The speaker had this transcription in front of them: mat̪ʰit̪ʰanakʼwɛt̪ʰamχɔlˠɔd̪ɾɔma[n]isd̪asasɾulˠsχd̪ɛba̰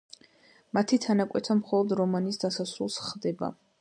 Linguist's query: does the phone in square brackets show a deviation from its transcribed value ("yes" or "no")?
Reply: no